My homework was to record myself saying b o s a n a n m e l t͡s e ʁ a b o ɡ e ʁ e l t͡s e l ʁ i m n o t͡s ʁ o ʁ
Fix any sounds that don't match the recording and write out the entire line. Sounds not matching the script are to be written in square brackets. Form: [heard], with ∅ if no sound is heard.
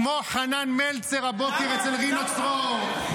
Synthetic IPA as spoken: [m] o [χ] a n a n m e l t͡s e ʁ a b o [k] e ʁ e [∅] t͡s e l ʁ i [∅] n o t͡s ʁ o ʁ

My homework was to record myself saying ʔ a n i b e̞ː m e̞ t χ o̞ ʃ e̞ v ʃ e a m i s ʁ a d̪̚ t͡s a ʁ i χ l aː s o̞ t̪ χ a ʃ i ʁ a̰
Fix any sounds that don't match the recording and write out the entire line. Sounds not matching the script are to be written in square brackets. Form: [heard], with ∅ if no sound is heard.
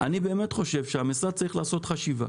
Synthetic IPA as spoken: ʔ a n i b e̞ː m e̞ t χ o̞ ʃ e̞ v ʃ e a m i s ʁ a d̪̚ t͡s a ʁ i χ l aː s o̞ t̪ χ a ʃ i [v] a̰

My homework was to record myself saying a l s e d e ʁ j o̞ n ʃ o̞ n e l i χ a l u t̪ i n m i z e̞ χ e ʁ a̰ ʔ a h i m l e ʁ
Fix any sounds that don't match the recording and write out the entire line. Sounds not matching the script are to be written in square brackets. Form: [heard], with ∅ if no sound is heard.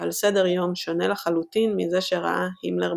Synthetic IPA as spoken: a l s e d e ʁ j o̞ [m] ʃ o̞ n e l [a] χ a l u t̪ i n m i z e̞ [ʃ] e ʁ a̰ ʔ a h i m l e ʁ

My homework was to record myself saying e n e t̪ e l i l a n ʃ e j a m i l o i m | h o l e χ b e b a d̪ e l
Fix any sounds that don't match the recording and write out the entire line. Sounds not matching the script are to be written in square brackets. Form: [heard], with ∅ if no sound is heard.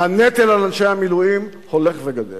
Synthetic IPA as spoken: [a] n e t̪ e l [a] l a n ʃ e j a m i l [u] i m | h o l e χ [v] e [ɡ] a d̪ e l

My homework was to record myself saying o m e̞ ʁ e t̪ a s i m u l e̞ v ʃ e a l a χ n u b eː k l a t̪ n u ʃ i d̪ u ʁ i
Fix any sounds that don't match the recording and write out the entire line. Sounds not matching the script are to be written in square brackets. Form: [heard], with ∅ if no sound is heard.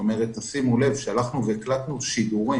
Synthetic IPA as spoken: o m e̞ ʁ e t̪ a s i m u l e̞ v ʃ e a l a χ n u [v] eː k l a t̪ n u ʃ i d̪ u ʁ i

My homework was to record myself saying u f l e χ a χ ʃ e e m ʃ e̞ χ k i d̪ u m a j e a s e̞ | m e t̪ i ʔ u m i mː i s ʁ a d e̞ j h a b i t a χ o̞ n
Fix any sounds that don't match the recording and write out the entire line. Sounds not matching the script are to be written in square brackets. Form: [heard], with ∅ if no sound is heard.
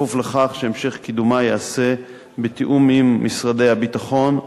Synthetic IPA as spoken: u f l e χ a χ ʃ e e m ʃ e̞ χ k i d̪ u m a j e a s e̞ | [b] e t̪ i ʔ u m i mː i s ʁ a d e̞ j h a b i t a χ o̞ n

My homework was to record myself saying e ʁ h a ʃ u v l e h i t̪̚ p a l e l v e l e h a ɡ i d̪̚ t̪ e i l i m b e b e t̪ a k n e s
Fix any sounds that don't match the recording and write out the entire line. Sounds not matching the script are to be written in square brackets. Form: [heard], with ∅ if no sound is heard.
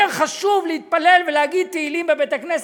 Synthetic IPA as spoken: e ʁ [χ] a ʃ u v l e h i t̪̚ p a l e l v e l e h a ɡ i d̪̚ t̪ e i l i m b e b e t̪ a k n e s

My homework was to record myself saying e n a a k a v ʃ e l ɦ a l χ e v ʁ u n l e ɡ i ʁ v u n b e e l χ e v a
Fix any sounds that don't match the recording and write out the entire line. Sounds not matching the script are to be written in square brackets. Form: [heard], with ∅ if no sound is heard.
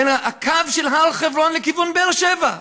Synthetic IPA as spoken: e n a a k a v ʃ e l ɦ a l χ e v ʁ [o] n l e [k] i [∅] v u n b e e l [ʃ] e v a

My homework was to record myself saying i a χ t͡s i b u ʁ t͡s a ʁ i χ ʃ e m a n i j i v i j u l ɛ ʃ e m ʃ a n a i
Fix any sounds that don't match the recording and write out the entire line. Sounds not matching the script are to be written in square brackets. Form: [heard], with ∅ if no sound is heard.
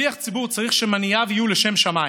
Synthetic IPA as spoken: i a χ t͡s i b u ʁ t͡s a ʁ i χ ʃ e m a n i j [a] v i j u l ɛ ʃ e m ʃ a [m] a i

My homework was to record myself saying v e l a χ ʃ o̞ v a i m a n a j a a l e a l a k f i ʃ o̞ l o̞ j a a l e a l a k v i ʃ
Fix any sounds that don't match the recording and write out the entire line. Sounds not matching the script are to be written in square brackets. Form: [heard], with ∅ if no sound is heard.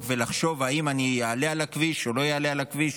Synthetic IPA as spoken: v e l a χ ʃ o̞ v a i m a n [i] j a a l e a l a k [v] i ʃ o̞ l o̞ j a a l e a l a k v i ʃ

